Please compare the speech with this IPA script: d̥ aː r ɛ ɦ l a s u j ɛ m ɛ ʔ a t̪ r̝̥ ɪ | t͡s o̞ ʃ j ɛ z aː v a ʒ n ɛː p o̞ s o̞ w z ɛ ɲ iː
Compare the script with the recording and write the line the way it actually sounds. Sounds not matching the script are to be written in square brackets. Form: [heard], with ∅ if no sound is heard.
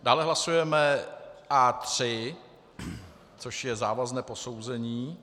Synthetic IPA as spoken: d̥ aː [l] ɛ ɦ l a s u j ɛ m ɛ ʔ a t̪ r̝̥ ɪ | t͡s o̞ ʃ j ɛ z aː v a [z] n ɛː p o̞ s o̞ w z ɛ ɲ iː

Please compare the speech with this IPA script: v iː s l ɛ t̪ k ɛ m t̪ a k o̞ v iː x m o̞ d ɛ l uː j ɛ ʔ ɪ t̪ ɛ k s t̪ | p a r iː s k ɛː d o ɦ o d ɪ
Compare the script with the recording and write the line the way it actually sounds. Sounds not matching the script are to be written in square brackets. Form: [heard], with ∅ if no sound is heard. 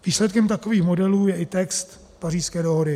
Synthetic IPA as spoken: v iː s l ɛ t̪ k ɛ m t̪ a k o̞ v iː x m o̞ d ɛ l uː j ɛ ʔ ɪ t̪ ɛ k s t̪ | p a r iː s k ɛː d o ɦ o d ɪ

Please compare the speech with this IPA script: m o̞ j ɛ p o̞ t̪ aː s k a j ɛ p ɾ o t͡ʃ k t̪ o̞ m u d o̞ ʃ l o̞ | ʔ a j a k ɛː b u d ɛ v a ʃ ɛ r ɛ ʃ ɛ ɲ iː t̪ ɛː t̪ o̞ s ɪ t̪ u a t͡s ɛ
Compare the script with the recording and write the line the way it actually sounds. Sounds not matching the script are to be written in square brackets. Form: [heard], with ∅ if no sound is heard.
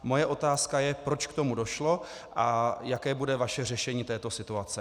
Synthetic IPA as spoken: m o̞ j ɛ [ʔ] o̞ t̪ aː s k a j ɛ p ɾ o t͡ʃ k t̪ o̞ m u d o̞ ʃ l o̞ | ʔ a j a k ɛː b u d ɛ v a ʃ ɛ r ɛ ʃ ɛ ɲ iː t̪ ɛː t̪ o̞ s ɪ t̪ u a t͡s ɛ

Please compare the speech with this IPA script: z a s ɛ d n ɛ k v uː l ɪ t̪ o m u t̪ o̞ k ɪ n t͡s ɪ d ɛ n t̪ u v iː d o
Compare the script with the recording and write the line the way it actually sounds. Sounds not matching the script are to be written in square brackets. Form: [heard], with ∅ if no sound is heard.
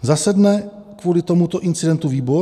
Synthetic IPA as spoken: z a s ɛ d n ɛ k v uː l ɪ t̪ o m u t̪ o̞ [ʔ] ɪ n t͡s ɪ d ɛ n t̪ u v iː [b] o

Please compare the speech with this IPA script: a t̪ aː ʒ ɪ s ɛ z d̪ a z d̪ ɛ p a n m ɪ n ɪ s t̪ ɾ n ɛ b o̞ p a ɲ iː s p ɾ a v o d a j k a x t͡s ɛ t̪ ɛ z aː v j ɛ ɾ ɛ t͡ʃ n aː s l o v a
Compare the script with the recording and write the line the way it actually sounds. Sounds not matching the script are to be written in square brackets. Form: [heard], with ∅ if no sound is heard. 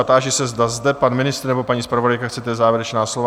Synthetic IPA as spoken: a t̪ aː ʒ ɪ s ɛ z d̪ a z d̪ ɛ p a n m ɪ n ɪ s t̪ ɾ n ɛ b o̞ p a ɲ iː s p ɾ a v o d a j k a x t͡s ɛ t̪ ɛ z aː v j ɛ ɾ ɛ t͡ʃ n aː s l o v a

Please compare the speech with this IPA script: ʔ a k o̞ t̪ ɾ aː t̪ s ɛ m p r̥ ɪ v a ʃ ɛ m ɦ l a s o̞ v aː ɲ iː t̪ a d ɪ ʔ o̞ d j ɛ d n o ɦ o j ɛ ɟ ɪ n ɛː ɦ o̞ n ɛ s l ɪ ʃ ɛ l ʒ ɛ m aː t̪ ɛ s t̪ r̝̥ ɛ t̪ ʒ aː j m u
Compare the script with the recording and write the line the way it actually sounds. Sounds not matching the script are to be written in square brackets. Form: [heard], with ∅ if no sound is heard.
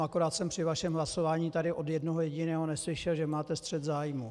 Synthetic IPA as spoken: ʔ a k o̞ [∅] ɾ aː t̪ s ɛ m p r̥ ɪ v a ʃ ɛ m ɦ l a s o̞ v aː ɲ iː t̪ a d ɪ ʔ o̞ d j ɛ d n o ɦ o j ɛ ɟ ɪ n ɛː ɦ o̞ n ɛ s l ɪ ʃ ɛ l ʒ ɛ m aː t̪ ɛ s t̪ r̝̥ ɛ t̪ [z] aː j m u

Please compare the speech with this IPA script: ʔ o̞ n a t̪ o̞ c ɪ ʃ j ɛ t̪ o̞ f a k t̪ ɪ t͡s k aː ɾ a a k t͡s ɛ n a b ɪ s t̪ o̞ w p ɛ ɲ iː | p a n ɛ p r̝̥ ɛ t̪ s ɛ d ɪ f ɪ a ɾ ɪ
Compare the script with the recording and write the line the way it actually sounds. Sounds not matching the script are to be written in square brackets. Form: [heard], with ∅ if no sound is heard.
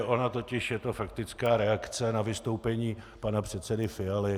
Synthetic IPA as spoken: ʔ o̞ n a t̪ o̞ c ɪ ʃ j ɛ t̪ o̞ f a k t̪ ɪ t͡s k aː ɾ [ɛ] a k t͡s ɛ n a [v] ɪ s t̪ o̞ w p ɛ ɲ iː | p a n [a] p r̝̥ ɛ t̪ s ɛ d ɪ f ɪ a [l] ɪ

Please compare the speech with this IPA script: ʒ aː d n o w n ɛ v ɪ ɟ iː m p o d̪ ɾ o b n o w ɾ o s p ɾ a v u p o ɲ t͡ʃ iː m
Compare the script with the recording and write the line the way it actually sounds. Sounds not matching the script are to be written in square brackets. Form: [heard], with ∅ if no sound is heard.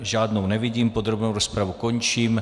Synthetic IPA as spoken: ʒ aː d n o w n ɛ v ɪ ɟ iː m p o d̪ ɾ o b n o w ɾ o s p ɾ a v u [k] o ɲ t͡ʃ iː m

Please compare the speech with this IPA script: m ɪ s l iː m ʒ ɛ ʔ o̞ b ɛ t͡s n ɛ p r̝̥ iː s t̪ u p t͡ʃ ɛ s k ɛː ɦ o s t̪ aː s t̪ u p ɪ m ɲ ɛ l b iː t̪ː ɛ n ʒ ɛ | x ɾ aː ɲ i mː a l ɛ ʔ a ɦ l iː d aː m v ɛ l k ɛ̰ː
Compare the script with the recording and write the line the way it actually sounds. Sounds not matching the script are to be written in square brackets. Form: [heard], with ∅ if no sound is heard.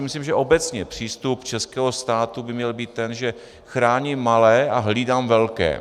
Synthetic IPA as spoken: m ɪ s l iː m ʒ ɛ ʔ o̞ b ɛ t͡s [ɲ] ɛ p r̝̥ iː s t̪ u p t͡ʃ ɛ s k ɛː ɦ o s t̪ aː [∅] t̪ u [b] ɪ m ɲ ɛ l b iː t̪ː ɛ n ʒ ɛ | x ɾ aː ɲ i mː a l [ɛː] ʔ a ɦ l iː d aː m v ɛ l k ɛ̰ː

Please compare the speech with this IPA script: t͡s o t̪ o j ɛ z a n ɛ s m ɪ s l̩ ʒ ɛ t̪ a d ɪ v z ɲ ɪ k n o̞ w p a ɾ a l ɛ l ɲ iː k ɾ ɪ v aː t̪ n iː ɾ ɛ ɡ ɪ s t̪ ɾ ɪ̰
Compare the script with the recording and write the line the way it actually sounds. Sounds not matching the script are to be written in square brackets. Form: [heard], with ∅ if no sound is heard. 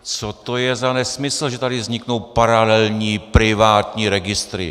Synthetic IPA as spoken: t͡s o t̪ o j ɛ z a n ɛ s m ɪ s l̩ ʒ ɛ t̪ a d ɪ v z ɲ ɪ k n o̞ w p a ɾ a l ɛ l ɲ iː [p] ɾ ɪ v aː t̪ [ɲ] iː ɾ ɛ ɡ ɪ s t̪ ɾ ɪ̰

